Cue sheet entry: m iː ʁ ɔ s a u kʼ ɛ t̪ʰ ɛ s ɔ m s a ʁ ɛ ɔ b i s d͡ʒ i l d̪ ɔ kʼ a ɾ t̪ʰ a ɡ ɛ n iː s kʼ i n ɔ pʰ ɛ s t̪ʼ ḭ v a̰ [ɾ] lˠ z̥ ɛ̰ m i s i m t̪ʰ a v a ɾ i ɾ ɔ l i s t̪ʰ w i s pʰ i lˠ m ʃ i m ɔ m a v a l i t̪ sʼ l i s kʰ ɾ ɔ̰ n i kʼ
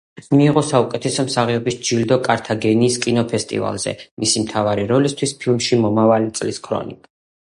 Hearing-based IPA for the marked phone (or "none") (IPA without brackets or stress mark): none